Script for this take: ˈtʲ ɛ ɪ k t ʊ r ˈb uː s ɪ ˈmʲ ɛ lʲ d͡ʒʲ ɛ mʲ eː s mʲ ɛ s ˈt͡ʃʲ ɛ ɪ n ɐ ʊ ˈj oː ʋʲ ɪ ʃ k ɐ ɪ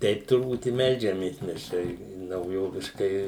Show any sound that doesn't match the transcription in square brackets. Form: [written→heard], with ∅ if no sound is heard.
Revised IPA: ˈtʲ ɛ ɪ [k→p] t ʊ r ˈb uː [s→t] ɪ ˈmʲ ɛ lʲ d͡ʒʲ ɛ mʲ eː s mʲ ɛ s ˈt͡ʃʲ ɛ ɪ n ɐ ʊ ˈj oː ʋʲ ɪ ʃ k ɐ ɪ